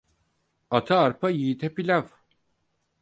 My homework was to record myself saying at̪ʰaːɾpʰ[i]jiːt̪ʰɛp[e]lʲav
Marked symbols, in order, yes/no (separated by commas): no, no